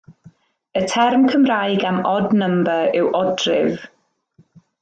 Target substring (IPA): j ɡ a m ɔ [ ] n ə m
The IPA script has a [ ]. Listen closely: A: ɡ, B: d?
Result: B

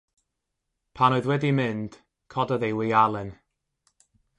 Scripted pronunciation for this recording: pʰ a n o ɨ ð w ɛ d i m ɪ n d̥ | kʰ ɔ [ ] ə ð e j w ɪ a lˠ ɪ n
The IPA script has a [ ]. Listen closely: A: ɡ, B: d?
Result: B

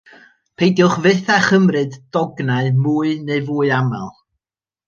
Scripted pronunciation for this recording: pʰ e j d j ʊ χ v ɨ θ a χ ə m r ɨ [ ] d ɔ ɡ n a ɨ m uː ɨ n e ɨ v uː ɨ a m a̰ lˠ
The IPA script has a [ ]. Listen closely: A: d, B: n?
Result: A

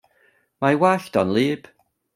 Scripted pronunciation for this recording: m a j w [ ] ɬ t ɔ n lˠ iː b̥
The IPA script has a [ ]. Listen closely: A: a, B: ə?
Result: A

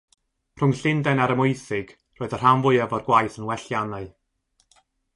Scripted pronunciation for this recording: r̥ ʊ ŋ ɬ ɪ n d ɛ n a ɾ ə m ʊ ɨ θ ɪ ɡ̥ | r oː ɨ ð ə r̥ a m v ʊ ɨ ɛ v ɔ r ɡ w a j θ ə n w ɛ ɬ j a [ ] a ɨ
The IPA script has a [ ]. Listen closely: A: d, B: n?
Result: B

